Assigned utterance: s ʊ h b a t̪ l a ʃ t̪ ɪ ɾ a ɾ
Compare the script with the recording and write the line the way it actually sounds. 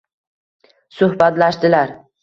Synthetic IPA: s ʊ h b a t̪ l a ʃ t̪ ɪ l a ɾ

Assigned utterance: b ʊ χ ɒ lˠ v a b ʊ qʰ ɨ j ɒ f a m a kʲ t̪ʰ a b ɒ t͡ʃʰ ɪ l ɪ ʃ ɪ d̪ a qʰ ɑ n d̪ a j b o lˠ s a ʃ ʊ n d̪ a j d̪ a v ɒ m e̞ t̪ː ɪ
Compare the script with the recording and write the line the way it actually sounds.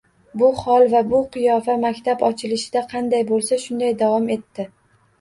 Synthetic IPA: b ʊ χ ɒ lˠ v a b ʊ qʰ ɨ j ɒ f a m a kʲ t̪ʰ a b ɒ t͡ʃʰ ɪ l ɪ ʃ ɪ d̪ a qʰ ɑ n d̪ a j b o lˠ s a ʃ ʊ n d̪ a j d̪ a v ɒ m e̞ t̪ː ɪ

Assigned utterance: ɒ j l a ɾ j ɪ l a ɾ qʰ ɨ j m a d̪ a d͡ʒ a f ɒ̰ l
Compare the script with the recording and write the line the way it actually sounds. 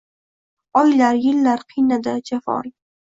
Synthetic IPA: ɒ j l a ɾ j ɪ lː a ɾ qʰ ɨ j n a d̪ a d͡ʒ a f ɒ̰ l

